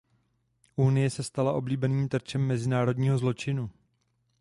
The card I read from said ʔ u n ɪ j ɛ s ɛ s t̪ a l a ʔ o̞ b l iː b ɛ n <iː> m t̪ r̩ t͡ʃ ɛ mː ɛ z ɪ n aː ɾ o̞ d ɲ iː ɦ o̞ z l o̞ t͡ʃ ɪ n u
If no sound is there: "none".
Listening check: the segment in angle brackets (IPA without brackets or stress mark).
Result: iː